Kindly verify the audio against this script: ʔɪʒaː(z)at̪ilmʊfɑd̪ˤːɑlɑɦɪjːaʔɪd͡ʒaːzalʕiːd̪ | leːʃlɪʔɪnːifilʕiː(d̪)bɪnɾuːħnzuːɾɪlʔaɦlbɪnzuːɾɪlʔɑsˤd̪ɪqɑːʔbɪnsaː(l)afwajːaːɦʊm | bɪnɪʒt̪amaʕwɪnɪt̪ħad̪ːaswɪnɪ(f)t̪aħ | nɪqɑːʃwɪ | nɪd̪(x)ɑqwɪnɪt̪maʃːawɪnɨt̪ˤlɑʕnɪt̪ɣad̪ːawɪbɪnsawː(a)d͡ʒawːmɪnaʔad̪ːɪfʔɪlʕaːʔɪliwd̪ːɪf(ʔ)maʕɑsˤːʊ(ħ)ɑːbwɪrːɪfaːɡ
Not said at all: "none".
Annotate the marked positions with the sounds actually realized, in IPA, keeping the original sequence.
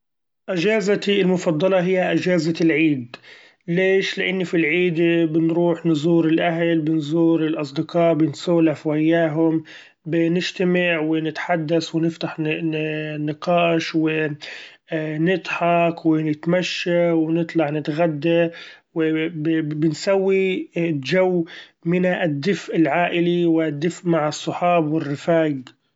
z, d̪, l, f, ħ, i, ʔ, ħ

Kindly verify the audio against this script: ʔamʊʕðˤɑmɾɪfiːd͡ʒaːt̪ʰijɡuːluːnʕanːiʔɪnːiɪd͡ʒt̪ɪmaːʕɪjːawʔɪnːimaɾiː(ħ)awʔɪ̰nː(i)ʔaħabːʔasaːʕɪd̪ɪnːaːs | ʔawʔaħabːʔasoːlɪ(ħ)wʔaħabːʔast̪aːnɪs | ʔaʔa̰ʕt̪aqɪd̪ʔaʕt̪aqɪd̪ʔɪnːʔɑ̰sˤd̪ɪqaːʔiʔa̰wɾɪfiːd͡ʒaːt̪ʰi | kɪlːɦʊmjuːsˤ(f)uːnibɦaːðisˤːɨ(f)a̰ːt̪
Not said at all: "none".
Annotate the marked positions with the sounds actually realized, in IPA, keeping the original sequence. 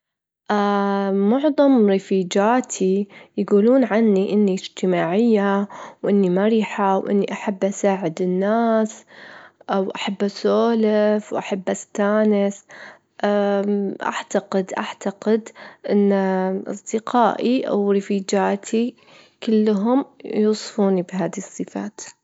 ħ, i, f, f, f

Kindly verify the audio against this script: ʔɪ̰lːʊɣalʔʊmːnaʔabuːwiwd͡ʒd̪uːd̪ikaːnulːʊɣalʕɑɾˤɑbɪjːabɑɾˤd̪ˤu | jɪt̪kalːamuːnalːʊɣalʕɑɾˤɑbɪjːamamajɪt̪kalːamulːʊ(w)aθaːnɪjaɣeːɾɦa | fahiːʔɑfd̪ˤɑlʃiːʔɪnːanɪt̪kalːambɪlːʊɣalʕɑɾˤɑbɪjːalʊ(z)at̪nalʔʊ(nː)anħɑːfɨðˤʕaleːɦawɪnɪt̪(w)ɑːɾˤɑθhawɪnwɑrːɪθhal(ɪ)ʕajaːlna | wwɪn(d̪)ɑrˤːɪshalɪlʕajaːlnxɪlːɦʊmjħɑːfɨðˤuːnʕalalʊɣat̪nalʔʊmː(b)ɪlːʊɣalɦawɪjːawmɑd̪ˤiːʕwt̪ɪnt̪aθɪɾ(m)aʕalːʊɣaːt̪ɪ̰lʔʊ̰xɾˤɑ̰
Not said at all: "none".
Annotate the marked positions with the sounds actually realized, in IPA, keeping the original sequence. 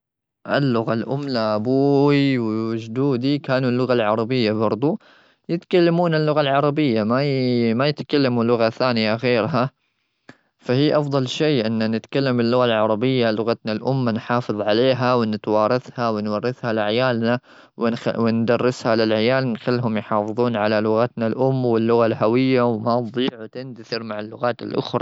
ɣ, ɣ, mː, w, ɪ, d̪, w, m

